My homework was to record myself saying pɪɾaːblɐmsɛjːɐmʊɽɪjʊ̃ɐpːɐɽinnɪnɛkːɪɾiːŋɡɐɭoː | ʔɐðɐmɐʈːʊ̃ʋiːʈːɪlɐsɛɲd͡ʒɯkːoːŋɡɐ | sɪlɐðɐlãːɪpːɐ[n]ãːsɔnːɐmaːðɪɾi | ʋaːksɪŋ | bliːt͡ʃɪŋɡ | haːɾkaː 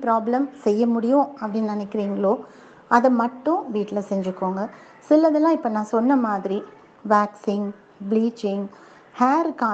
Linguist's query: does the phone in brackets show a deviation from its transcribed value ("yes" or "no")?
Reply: no